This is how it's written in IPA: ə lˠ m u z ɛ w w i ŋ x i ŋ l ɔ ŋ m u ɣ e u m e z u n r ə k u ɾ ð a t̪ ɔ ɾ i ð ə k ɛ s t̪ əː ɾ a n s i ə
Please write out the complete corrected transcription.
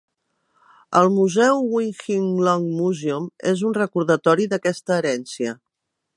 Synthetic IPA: ə lˠ m u z ɛ w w i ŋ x i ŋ l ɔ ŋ m u z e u m e z u n r ə k u ɾ ð ə t̪ ɔ ɾ i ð ə k ɛ s t̪ əː ɾ ɛ n s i ə